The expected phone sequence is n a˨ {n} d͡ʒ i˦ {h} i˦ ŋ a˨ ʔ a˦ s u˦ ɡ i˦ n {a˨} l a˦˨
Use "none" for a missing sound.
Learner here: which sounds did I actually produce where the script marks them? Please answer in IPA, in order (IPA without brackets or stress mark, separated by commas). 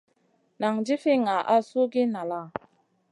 ŋ, f, a˨